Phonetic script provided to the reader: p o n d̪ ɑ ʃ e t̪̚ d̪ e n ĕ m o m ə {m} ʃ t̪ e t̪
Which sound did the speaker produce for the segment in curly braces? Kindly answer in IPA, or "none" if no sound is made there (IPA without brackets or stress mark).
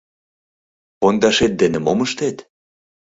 none